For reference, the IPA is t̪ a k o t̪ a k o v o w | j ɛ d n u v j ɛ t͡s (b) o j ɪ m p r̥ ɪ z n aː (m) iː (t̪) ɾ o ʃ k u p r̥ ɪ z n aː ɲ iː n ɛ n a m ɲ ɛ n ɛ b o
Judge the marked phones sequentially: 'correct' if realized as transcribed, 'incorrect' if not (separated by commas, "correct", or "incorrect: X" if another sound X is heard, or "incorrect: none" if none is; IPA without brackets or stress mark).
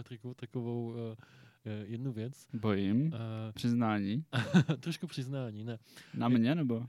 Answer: correct, incorrect: ɲ, correct